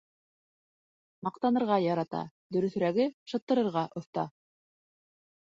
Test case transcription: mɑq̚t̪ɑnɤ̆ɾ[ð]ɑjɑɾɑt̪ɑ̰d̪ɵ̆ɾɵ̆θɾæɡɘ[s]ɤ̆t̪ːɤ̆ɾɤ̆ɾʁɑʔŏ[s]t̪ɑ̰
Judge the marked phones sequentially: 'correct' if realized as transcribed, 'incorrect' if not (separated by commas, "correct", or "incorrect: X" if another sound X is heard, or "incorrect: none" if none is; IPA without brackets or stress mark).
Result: incorrect: ʁ, incorrect: ʃ, incorrect: θ